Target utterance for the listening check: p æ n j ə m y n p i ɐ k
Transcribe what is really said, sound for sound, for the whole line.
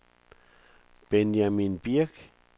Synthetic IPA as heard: p e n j a m i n p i a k